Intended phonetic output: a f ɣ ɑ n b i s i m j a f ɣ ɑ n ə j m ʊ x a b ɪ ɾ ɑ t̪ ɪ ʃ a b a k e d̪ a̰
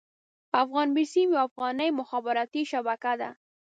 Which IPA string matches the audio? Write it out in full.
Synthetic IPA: a f ɣ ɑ n b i s i m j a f ɣ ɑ n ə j m ʊ x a b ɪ ɾ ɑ t̪ i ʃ a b a k a d̪ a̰